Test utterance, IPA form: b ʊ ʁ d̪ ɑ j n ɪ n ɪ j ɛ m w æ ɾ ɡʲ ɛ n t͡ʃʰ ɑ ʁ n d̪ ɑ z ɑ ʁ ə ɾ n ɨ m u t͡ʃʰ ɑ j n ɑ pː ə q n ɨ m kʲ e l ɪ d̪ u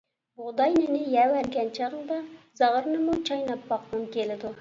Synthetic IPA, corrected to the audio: b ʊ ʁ d̪ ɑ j n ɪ n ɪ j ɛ w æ ɾ ɡʲ ɛ n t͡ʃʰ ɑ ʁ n d̪ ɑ z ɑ ʁ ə ɾ n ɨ m u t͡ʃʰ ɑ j n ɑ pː ɑ q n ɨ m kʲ e l ɪ d̪ u